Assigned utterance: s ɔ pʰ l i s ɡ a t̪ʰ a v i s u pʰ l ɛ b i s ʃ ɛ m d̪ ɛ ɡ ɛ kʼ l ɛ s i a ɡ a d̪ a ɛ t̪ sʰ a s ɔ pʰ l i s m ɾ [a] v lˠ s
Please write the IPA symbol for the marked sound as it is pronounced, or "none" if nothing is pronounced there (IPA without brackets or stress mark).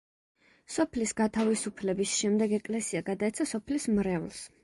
ɛ